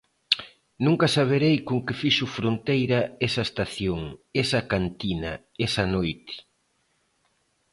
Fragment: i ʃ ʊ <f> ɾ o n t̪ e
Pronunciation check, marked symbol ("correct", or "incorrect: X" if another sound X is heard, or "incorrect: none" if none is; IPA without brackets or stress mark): correct